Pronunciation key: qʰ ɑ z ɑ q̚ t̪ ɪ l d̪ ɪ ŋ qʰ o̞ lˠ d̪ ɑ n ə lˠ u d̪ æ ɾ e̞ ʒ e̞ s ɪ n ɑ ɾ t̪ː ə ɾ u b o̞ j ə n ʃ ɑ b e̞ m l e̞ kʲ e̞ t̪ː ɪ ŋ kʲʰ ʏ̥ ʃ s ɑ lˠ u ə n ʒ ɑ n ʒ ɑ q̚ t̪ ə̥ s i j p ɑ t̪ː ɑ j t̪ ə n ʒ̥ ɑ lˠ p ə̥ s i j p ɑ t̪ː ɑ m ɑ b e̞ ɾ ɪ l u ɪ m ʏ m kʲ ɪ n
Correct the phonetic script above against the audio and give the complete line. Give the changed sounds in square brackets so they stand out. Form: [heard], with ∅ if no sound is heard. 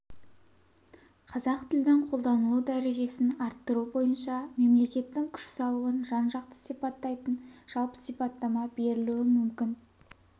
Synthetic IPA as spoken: qʰ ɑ z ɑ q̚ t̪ ɪ l d̪ ɪ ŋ qʰ o̞ lˠ d̪ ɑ n ə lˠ u d̪ æ ɾ e̞ ʒ e̞ s ɪ n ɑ ɾ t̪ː ə ɾ u b o̞ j ə n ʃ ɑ [m] e̞ m l e̞ kʲ e̞ t̪ː ɪ ŋ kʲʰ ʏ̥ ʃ s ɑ lˠ u ə n ʒ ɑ n ʒ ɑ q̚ t̪ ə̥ s i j p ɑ t̪ː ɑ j t̪ ə n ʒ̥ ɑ lˠ p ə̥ s i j p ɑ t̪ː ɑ m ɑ b e̞ ɾ ɪ l u ɪ m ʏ m kʲ ɪ n